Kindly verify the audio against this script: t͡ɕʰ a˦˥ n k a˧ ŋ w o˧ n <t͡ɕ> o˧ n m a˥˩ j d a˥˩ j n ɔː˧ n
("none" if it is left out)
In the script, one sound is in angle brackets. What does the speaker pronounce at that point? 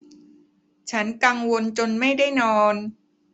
t͡ɕ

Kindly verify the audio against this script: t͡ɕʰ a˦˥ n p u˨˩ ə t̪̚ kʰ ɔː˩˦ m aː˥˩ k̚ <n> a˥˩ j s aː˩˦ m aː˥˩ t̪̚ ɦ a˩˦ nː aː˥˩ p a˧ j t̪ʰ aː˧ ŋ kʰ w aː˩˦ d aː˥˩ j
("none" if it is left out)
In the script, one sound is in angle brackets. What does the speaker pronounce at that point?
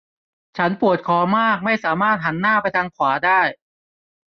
m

